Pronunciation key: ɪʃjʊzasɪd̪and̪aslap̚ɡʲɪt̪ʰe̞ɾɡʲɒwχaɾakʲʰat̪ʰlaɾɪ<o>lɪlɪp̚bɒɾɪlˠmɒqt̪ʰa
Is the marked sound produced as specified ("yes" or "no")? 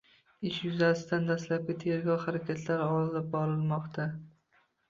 no